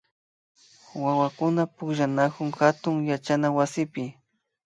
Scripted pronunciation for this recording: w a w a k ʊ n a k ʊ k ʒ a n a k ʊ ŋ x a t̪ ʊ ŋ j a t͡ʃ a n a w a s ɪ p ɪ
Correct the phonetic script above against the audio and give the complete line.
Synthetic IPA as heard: w a w a k ʊ n a p ʊ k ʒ a n a k ʊ ŋ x a t̪ ʊ ŋ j a t͡ʃ a n a w a s ɪ p ɪ